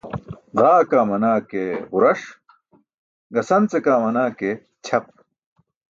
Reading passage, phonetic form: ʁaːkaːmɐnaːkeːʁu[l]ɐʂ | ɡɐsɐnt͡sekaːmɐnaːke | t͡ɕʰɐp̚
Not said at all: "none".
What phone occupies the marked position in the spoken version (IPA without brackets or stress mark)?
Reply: ɾ